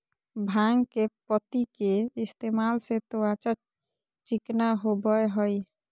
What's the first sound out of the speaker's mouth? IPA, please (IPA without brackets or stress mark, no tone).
bʱ